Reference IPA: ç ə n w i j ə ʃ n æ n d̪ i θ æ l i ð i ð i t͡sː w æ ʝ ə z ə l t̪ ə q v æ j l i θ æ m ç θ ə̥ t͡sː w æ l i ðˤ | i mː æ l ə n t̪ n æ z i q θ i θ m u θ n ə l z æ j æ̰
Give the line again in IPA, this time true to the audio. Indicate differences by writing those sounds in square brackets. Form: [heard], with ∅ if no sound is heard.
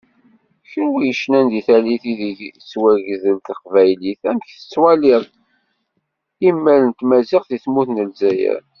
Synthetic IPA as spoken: ç ə n w i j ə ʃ n æ n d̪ i θ æ l i [θ] i ð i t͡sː w æ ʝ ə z ə l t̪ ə q v æ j l i θ æ m ç θ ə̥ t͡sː w æ l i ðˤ | i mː æ l ə n t̪ [m] æ z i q θ i θ m u θ n ə l z æ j æ̰